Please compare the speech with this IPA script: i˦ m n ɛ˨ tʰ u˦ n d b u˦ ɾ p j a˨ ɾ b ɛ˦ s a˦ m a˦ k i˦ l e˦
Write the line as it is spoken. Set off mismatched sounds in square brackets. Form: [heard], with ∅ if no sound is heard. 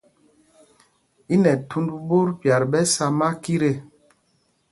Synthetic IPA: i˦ [∅] n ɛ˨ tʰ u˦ n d b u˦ ɾ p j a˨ ɾ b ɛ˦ s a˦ m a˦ k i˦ [ɾ] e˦